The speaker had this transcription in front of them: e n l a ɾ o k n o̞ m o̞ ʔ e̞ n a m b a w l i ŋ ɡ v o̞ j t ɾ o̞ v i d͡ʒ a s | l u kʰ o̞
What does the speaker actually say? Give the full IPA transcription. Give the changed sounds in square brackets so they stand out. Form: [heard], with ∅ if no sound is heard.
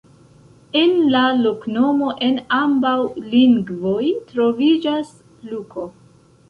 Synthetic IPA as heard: e n l a [l] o k n o̞ m o̞ ʔ e̞ n a m b a w l i ŋ ɡ v o̞ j t ɾ o̞ v i d͡ʒ a s | l u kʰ o̞